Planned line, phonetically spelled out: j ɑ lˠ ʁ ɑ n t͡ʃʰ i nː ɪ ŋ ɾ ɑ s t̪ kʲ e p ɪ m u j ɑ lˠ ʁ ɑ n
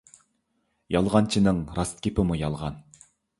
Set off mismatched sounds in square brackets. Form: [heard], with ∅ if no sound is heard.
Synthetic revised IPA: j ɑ lˠ ʁ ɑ n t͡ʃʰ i [n] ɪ ŋ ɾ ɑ s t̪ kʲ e p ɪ m u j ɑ lˠ ʁ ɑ n